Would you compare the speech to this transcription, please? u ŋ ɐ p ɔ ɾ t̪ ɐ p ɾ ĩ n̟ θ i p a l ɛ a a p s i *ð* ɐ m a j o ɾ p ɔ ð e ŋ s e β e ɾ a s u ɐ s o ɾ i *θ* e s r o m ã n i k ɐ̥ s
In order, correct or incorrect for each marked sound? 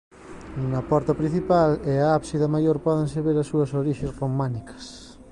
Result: correct, incorrect: ʃ

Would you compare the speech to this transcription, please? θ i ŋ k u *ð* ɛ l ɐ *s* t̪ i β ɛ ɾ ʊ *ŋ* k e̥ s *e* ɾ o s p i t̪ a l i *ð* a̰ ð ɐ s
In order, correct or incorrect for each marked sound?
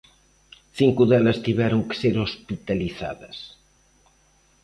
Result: correct, correct, correct, correct, incorrect: θ

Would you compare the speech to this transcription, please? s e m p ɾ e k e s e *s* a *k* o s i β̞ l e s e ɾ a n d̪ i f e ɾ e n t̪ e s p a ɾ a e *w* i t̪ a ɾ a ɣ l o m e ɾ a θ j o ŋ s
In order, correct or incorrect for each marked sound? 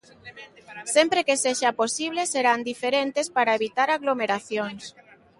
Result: incorrect: ʃ, incorrect: p, incorrect: β

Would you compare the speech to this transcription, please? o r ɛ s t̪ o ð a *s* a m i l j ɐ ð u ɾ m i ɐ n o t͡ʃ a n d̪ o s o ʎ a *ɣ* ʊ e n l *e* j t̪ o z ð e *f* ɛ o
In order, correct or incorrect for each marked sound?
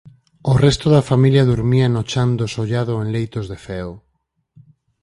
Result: incorrect: f, incorrect: ð, correct, correct

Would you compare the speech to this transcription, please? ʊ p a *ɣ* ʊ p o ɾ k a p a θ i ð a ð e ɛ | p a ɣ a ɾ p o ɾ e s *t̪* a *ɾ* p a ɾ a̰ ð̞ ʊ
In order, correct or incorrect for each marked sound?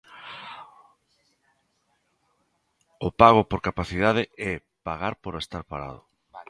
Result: correct, correct, correct

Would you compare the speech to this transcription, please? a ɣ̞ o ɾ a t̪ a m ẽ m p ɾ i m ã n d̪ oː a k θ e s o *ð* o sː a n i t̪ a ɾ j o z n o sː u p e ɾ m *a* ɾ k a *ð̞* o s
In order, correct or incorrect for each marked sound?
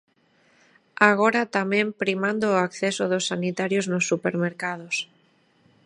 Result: correct, incorrect: e, correct

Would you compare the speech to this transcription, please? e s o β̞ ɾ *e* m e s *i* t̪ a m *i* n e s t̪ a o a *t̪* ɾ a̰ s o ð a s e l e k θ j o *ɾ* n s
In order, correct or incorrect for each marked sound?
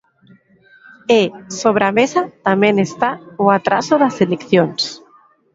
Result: incorrect: a, incorrect: a, incorrect: e, correct, incorrect: none

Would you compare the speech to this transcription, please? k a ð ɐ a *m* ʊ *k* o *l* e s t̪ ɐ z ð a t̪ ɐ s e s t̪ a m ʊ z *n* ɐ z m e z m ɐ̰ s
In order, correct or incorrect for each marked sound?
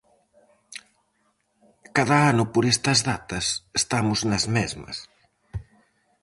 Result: incorrect: n, incorrect: p, incorrect: ɾ, correct

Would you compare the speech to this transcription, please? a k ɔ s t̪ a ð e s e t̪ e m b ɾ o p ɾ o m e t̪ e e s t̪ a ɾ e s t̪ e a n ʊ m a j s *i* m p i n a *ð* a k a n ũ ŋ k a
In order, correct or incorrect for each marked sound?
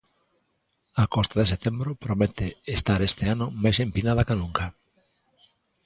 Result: incorrect: e, correct

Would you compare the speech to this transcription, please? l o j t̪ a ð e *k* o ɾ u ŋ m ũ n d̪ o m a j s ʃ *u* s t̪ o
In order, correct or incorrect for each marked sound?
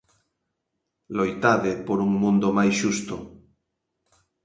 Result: incorrect: p, correct

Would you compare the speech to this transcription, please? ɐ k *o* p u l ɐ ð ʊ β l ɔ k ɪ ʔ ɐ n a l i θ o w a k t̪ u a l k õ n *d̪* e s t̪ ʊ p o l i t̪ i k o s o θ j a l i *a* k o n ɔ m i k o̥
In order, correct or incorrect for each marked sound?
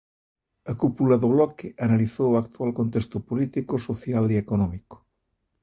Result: incorrect: u, incorrect: t̪, incorrect: e

